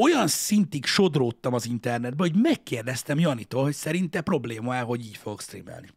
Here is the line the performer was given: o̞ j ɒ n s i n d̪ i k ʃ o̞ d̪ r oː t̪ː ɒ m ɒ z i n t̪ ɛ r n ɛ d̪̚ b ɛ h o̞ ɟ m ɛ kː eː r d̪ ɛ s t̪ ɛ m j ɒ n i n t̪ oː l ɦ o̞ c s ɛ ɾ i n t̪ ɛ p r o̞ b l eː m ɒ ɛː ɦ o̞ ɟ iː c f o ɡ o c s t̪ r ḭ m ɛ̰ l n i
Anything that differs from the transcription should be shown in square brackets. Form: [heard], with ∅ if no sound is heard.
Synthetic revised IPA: o̞ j ɒ n s i n [t̪] i k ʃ o̞ d̪ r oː t̪ː ɒ m ɒ z i n t̪ ɛ r n ɛ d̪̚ b ɛ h o̞ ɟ m ɛ kː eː r d̪ ɛ s t̪ ɛ m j ɒ n i [∅] t̪ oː l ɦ o̞ c s ɛ ɾ i n t̪ ɛ p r o̞ b l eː m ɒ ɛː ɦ o̞ ɟ iː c f o ɡ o [k] s t̪ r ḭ m ɛ̰ l n i